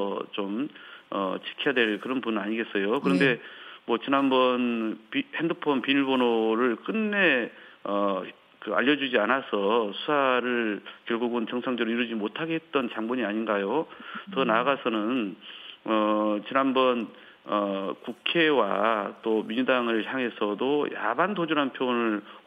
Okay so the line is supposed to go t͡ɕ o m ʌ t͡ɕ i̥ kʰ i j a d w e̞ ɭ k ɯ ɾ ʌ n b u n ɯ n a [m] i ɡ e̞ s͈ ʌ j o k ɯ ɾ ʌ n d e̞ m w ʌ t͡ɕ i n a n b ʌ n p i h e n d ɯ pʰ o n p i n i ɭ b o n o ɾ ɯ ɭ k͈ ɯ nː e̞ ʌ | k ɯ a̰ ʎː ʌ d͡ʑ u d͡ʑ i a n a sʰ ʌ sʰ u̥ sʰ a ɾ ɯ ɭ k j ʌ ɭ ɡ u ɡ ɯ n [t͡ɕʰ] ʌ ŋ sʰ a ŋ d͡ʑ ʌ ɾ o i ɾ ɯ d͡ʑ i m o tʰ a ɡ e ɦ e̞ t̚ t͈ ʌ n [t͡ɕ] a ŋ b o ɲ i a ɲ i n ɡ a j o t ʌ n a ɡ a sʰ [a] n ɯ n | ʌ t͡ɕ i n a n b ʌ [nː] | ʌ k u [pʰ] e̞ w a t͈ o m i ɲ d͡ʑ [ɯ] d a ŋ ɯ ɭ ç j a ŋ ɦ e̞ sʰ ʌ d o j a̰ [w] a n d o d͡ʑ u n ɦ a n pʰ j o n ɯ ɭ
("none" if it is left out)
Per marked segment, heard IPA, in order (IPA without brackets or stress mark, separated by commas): ɲ, t͡ɕ, t͡ɕ, ʌ, n, kʰ, u, b